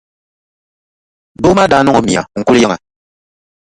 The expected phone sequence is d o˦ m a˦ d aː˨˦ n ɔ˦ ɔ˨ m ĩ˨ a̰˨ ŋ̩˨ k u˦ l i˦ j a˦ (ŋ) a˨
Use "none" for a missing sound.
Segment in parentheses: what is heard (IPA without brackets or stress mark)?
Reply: ŋ